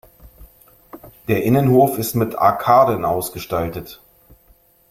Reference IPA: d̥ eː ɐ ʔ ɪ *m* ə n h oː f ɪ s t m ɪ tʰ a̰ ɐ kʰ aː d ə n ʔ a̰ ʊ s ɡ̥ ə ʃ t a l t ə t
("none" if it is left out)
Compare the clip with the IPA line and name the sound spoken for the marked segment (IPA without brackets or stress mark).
n